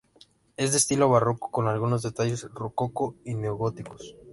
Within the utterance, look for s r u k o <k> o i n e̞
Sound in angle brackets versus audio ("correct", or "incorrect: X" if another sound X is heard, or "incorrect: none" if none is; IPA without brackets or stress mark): correct